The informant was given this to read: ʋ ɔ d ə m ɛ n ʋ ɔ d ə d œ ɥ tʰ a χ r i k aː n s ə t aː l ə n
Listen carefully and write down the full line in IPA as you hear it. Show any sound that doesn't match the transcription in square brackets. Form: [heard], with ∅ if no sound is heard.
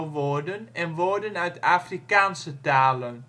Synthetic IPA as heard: ʋ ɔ d ə [n] ɛ n ʋ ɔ d ə [n] œ ɥ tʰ a [f] r i k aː n s ə t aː l ə n